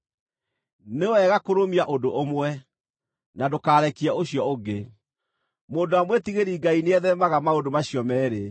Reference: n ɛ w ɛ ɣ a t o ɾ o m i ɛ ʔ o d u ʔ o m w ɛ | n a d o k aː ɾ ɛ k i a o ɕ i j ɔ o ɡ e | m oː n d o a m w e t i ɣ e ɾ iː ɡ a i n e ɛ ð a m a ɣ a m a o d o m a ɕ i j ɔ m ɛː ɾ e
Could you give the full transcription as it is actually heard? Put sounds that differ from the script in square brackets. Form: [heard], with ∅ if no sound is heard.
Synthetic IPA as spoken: n [e] w ɛ ɣ a [k] o ɾ o m i [a] ʔ o d [o] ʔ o m w ɛ | n a d o k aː ɾ ɛ k i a o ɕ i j ɔ o ɡ e | m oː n d o a m w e t i ɣ e ɾ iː ɡ a i n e ɛ ð [ɛ] m a ɣ a m a o d o m a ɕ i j ɔ m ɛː ɾ e